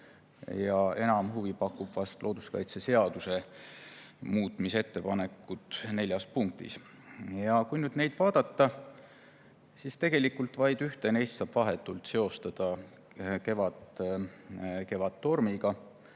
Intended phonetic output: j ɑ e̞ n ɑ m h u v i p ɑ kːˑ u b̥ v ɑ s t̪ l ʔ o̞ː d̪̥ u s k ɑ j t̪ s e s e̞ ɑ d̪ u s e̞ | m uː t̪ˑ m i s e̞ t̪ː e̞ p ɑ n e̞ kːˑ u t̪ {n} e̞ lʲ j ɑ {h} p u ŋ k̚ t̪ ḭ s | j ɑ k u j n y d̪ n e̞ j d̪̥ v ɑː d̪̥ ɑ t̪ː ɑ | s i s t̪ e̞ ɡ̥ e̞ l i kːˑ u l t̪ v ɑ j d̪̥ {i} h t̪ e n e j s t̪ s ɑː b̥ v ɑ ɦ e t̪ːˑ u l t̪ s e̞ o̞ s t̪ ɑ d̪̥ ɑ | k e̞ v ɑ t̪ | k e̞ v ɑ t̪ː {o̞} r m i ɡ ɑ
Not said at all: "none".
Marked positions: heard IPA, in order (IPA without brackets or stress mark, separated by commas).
n, s, y, o̞